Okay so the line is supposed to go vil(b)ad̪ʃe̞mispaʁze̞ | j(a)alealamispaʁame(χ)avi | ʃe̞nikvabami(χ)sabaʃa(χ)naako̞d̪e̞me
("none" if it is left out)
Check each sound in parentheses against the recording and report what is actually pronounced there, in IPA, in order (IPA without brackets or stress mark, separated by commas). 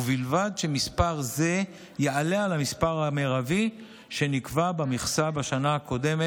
v, e, ʁ, χ, none